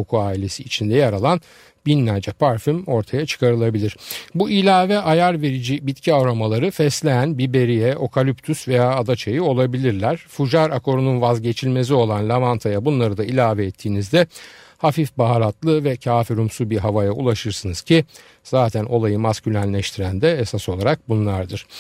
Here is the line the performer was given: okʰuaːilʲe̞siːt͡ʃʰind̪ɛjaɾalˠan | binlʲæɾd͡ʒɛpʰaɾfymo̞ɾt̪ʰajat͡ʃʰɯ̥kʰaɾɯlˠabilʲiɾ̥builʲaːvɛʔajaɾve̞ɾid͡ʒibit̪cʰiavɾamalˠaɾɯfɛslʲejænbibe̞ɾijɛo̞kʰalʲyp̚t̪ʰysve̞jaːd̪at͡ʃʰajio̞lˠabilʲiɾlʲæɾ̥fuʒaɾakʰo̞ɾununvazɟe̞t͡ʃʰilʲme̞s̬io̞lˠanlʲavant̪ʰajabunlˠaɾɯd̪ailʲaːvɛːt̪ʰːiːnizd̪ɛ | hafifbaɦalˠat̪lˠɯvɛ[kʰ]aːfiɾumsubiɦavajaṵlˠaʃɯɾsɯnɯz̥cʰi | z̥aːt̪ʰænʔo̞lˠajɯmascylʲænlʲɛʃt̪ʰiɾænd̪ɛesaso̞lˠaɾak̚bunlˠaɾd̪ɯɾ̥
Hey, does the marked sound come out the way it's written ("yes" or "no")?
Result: no